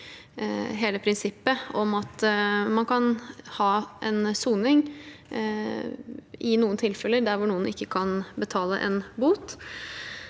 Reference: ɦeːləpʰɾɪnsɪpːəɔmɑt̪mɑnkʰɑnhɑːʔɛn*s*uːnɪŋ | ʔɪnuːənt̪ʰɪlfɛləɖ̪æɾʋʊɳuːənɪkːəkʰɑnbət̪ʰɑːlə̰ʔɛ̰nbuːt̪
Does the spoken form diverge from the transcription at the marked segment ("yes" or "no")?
no